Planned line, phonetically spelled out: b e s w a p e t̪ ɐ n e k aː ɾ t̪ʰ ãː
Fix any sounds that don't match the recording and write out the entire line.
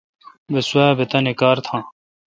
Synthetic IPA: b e s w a b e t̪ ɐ n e k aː ɾ t̪ʰ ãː